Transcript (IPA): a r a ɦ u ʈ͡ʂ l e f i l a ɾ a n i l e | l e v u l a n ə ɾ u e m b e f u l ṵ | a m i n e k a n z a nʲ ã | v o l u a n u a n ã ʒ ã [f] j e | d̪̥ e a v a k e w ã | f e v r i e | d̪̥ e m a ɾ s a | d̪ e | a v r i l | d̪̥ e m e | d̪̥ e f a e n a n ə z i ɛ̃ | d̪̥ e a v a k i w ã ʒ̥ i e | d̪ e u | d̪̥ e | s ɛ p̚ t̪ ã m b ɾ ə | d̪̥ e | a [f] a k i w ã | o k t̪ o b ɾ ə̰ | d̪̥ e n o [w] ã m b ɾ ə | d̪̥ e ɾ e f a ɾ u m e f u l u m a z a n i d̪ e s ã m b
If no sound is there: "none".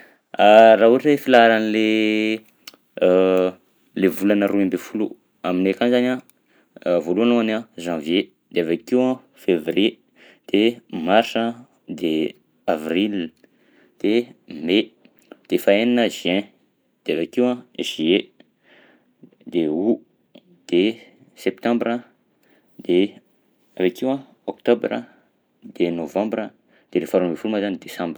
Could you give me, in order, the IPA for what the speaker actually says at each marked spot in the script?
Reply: v, v, v

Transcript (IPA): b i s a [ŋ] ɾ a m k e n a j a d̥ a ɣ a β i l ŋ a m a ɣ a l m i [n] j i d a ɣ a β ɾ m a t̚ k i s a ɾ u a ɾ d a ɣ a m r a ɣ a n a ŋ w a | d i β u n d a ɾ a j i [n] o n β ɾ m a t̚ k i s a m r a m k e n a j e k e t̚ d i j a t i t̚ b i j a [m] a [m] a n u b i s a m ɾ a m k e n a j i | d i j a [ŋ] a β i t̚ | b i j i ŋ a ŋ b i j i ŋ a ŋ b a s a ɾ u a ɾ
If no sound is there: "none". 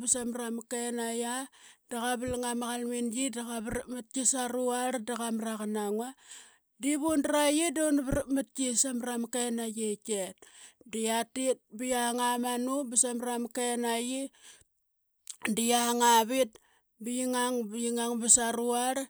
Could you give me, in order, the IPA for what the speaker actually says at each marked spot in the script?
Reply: m, n, d, ŋ, m, ŋ

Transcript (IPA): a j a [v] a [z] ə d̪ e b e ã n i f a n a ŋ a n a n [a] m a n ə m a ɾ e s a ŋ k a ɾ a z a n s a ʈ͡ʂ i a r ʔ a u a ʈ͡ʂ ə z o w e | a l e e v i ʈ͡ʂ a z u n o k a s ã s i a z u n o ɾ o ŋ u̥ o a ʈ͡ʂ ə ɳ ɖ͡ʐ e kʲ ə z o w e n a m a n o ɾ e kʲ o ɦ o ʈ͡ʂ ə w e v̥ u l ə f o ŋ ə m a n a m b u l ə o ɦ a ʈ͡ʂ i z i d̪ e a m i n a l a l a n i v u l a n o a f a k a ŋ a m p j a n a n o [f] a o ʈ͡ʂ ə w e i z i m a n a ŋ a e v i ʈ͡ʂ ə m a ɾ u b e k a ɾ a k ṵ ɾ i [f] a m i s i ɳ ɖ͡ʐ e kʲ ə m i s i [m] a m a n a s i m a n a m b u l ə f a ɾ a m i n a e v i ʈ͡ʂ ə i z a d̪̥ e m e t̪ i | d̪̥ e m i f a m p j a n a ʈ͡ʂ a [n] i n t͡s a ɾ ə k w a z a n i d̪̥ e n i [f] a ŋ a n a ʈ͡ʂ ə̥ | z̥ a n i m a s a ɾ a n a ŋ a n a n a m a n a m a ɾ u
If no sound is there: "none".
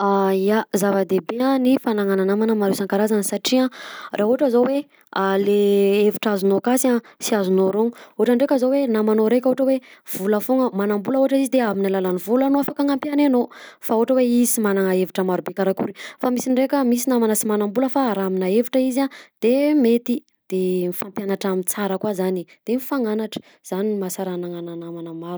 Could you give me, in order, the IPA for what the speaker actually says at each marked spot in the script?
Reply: z, v, a, f, f, n, m, f

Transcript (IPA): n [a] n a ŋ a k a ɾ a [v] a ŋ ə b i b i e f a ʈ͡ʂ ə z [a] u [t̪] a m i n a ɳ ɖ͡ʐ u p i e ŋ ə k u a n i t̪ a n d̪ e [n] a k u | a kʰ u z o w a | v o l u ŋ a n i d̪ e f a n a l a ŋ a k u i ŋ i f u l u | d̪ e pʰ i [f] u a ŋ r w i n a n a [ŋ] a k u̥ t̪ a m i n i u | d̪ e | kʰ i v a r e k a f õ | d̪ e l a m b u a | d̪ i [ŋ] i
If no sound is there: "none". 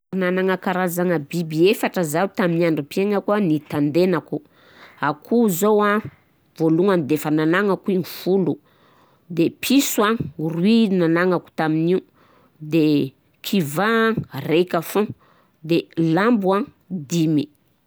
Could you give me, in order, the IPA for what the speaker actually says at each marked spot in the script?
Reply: a, z, a, t̪, n, s, ŋ, m

